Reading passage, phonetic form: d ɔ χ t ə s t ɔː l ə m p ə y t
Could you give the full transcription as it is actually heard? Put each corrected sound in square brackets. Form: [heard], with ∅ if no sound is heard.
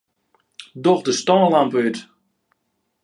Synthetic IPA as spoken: d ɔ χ [d] ə s t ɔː l [a] m p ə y t